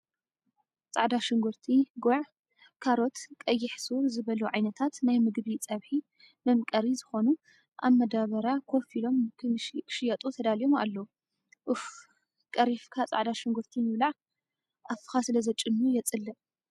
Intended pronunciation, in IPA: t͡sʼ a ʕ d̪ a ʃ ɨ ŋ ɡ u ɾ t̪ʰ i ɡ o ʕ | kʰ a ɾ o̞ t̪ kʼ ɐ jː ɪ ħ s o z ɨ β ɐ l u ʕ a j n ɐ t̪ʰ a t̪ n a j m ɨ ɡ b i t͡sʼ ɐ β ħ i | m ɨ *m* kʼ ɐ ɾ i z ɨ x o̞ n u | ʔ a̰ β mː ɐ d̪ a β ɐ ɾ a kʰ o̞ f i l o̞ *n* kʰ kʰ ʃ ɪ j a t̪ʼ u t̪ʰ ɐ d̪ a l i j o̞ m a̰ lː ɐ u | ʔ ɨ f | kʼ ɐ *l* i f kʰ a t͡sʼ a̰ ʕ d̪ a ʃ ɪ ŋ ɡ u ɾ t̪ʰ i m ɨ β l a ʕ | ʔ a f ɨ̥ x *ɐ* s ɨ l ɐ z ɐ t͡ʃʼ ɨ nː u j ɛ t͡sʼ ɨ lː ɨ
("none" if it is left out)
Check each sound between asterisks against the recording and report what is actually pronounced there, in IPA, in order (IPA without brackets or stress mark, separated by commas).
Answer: m, m, ɾ, a